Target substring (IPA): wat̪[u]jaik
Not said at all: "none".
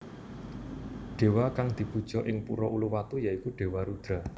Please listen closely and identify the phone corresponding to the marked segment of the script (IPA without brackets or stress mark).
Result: u